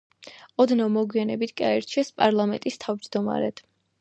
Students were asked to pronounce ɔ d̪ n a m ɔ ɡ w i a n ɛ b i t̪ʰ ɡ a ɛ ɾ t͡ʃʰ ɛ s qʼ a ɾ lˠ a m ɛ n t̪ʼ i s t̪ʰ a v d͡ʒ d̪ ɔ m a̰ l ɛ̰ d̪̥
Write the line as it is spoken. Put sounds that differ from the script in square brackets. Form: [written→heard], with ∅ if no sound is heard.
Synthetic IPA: ɔ d̪ n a m ɔ ɡ w i a n ɛ b i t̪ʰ ɡ a ɛ ɾ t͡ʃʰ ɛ s [qʼ→pʼ] a ɾ lˠ a m ɛ n t̪ʼ i s t̪ʰ a v d͡ʒ d̪ ɔ m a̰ [l→ɾ] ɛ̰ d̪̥